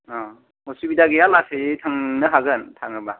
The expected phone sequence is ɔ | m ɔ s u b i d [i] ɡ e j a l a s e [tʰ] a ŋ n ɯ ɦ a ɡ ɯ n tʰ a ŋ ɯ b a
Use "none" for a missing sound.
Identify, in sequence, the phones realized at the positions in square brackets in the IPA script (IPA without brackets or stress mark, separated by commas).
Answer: a, tʰ